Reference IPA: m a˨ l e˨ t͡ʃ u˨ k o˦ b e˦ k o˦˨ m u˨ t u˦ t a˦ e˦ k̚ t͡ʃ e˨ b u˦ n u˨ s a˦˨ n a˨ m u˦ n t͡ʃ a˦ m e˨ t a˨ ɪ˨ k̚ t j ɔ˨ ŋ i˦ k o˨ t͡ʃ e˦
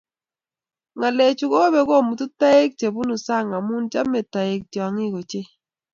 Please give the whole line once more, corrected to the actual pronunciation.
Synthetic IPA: ŋ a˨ l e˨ t͡ʃ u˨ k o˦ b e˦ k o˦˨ m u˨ t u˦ t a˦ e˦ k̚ t͡ʃ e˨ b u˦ n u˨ s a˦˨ ŋ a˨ m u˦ n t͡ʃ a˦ m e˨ t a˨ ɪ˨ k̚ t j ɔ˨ ŋ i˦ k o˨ t͡ʃ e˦